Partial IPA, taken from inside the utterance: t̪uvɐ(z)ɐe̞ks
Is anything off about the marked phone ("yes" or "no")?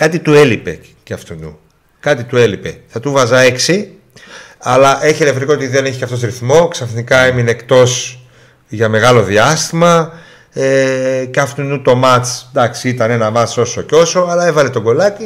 no